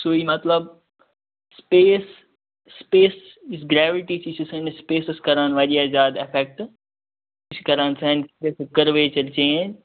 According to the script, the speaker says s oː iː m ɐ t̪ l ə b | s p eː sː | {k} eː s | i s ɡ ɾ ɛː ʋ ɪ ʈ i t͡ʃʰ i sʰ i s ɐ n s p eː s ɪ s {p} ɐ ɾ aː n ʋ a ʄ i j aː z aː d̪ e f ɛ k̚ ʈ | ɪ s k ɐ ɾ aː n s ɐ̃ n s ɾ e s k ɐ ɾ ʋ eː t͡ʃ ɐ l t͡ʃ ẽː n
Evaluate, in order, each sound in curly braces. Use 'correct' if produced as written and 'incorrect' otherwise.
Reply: incorrect, incorrect

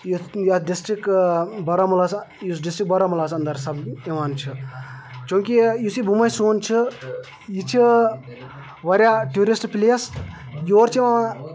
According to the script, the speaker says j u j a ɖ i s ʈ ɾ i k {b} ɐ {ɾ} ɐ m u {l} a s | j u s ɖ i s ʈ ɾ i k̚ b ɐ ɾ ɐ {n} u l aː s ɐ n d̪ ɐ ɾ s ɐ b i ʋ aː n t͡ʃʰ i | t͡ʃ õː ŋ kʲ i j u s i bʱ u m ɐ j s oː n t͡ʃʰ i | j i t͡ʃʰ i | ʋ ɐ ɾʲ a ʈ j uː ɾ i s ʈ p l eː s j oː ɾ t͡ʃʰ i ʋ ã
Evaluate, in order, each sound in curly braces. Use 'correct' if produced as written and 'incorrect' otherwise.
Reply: correct, correct, correct, incorrect

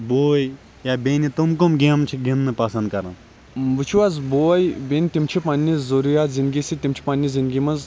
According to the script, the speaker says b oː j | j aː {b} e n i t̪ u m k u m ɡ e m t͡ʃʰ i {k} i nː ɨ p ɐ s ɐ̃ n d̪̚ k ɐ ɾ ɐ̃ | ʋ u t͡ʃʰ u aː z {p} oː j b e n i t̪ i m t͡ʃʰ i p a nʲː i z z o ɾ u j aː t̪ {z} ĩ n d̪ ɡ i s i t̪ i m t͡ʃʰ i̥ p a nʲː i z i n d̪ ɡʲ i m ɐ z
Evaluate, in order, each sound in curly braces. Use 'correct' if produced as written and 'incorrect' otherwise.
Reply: correct, incorrect, incorrect, correct

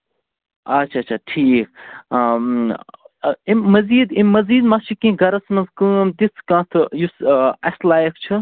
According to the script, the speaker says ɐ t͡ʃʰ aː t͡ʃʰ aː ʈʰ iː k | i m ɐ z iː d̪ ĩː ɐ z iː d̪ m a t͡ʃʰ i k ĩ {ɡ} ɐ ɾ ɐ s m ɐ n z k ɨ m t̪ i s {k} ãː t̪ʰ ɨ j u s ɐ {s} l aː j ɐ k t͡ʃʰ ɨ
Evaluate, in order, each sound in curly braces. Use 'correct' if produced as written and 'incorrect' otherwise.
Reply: correct, correct, correct

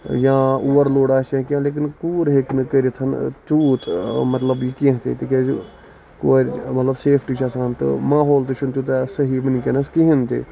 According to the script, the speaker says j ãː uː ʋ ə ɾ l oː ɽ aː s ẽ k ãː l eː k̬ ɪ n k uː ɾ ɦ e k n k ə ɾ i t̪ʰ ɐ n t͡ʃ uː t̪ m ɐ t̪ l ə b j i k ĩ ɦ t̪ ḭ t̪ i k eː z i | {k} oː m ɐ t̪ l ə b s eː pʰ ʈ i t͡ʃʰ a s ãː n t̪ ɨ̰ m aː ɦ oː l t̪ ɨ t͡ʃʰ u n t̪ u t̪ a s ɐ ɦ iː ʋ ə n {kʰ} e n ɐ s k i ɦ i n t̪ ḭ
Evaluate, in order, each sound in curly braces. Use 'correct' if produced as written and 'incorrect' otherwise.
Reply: correct, incorrect

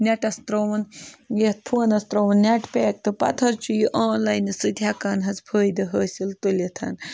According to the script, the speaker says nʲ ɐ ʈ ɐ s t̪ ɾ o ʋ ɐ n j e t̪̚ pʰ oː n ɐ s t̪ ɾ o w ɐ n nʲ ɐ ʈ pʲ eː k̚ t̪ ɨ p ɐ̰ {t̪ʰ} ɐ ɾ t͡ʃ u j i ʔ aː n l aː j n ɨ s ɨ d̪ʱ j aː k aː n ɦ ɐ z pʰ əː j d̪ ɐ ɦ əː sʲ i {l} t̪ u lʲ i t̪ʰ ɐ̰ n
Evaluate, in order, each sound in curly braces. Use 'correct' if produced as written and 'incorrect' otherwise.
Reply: correct, correct

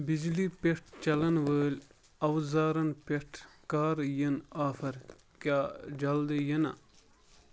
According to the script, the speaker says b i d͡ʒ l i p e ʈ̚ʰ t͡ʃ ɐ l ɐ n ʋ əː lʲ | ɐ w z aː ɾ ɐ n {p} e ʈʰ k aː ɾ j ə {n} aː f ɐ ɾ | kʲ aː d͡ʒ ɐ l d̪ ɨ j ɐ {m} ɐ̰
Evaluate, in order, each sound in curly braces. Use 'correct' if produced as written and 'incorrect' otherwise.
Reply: correct, correct, incorrect

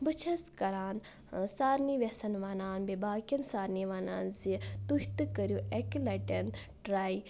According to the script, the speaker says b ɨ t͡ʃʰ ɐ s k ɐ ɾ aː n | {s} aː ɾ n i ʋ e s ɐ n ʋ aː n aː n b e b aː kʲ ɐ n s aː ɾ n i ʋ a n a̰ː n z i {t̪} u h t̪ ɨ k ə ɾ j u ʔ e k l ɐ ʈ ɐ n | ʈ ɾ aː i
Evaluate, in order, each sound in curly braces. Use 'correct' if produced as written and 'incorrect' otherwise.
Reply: correct, correct

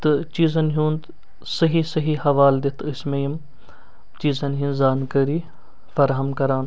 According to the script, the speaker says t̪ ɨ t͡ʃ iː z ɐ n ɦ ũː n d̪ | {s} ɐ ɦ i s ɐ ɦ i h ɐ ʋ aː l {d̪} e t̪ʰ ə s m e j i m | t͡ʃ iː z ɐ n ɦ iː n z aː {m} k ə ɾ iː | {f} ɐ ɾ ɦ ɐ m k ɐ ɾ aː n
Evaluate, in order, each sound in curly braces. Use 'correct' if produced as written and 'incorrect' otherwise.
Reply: correct, correct, incorrect, correct

